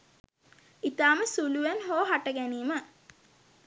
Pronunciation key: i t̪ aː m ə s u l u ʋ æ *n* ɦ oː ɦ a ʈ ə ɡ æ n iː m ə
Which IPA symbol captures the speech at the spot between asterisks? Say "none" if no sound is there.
n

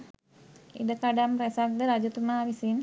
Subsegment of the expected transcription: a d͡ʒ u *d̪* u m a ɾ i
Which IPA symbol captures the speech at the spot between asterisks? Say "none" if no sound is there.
t̪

